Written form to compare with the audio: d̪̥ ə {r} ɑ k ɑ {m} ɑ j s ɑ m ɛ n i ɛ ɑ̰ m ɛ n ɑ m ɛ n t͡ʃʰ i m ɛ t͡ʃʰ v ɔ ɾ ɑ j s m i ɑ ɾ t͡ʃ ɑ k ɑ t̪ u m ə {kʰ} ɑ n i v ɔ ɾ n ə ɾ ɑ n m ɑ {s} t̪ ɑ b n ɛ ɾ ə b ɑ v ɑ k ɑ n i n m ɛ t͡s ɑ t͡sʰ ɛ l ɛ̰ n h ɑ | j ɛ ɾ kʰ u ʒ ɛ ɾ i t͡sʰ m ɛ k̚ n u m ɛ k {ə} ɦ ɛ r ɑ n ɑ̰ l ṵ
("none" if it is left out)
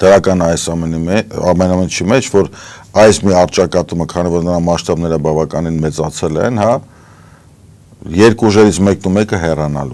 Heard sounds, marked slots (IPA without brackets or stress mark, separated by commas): ɾ, n, kʰ, ʃ, ə